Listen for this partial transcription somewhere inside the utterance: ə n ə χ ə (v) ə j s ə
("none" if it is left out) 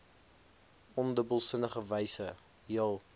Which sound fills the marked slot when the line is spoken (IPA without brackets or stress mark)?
v